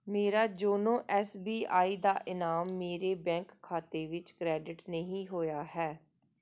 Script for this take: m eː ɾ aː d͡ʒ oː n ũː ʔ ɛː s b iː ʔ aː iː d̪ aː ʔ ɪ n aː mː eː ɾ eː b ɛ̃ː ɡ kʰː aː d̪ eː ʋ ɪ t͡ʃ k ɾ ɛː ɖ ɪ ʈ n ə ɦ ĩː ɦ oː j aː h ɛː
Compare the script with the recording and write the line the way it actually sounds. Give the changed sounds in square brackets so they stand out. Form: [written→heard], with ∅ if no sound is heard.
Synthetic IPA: m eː ɾ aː d͡ʒ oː n [ũː→õː] ʔ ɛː s b iː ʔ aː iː d̪ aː ʔ ɪ n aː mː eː ɾ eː b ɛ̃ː [ɡ→ŋ] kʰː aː [d̪→t̪] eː ʋ ɪ t͡ʃ k ɾ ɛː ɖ ɪ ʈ n ə ɦ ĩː ɦ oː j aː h ɛː